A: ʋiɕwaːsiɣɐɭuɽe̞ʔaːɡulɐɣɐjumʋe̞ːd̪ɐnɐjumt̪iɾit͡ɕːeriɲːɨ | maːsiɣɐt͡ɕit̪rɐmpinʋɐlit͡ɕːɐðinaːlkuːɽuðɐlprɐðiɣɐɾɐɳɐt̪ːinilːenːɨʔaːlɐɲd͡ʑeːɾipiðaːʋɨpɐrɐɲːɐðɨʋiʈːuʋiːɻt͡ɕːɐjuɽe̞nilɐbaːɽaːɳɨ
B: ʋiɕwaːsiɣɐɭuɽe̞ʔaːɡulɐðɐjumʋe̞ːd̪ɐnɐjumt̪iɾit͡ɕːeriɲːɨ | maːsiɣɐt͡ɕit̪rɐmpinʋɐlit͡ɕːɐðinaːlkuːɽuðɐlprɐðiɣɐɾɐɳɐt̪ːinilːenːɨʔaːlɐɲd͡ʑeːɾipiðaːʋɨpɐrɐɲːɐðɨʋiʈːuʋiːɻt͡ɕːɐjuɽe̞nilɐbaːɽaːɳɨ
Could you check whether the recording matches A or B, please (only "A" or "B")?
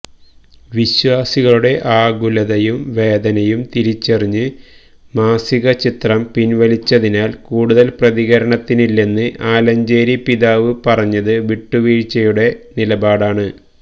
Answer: B